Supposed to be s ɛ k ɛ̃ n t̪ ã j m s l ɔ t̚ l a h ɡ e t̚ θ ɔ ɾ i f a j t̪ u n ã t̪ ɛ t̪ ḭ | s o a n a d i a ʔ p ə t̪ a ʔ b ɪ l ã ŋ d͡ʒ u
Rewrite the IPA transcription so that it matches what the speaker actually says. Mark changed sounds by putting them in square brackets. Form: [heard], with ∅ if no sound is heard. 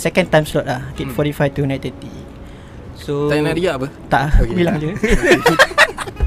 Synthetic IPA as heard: s ɛ k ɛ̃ n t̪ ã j m s l ɔ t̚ l a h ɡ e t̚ [f] ɔ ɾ i f a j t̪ u n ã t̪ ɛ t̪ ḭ | s o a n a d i a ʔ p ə t̪ a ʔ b [i] l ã ŋ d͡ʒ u